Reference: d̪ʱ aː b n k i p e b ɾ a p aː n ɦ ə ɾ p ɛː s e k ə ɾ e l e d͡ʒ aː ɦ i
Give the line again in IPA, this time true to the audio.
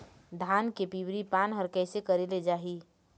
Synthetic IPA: d̪ʱ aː n k e p i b ɾ i p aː n ɦ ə ɾ k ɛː s e k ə ɾ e l e d͡ʒ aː ɦ i